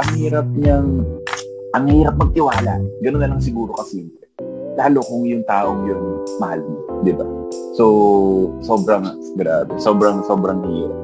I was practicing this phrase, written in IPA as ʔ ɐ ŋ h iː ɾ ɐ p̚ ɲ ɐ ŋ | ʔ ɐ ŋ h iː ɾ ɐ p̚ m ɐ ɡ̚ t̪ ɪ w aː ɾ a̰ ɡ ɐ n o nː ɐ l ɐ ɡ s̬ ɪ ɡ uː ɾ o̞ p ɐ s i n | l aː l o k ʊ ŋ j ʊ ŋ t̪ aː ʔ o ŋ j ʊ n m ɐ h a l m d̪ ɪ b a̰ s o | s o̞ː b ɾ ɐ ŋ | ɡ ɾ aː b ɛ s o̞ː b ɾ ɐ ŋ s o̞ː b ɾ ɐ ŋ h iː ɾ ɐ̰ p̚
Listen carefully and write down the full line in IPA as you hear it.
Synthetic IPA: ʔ ɐ ŋ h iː ɾ ɐ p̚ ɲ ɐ ŋ | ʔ ɐ ŋ h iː ɾ ɐ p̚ m ɐ ɡ̚ t̪ ɪ w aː l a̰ ɡ ɐ n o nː ɐ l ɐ ŋ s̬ ɪ ɡ uː ɾ o̞ k ɐ s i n | l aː l o k ʊ ŋ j ʊ ŋ t̪ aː ʔ o ŋ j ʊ n m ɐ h a l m d̪ ɪ b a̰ s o | s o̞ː b ɾ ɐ ŋ | ɡ ɾ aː b ɛ s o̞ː b ɾ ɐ ŋ s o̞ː b ɾ ɐ ŋ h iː ɾ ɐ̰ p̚